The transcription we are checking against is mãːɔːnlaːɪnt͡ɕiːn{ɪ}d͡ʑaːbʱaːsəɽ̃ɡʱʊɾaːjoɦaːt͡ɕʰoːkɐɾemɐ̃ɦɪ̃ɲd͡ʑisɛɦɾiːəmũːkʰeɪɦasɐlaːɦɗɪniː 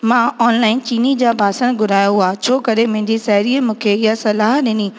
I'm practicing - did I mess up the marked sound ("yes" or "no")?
yes